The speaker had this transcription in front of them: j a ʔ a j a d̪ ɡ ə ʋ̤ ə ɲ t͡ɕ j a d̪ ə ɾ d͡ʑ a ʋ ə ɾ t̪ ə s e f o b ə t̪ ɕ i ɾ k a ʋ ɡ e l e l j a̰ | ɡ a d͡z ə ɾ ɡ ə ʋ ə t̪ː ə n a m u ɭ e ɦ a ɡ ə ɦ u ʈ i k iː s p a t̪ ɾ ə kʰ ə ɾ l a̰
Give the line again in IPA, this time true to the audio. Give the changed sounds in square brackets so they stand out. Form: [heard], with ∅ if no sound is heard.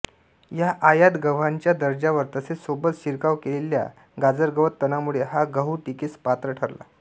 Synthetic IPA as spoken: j a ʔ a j a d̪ ɡ ə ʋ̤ [a] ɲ t͡ɕ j a d̪ ə ɾ d͡ʑ a ʋ ə ɾ t̪ ə s e [s] o b ə t̪ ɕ i ɾ k a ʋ [k] e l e l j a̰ | ɡ a d͡z ə ɾ ɡ ə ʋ ə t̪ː ə n a m u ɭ e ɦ a ɡ ə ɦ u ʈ i k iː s p a t̪ ɾ ə [ʈʰ] ə ɾ l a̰